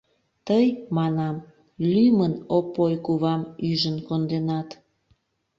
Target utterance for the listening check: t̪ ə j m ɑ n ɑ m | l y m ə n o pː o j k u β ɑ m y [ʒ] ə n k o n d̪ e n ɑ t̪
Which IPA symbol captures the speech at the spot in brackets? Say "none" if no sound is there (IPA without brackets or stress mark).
ʒ